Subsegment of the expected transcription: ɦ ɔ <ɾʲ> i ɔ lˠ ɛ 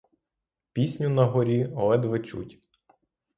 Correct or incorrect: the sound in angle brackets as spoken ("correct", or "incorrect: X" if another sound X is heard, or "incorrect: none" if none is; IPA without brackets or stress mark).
correct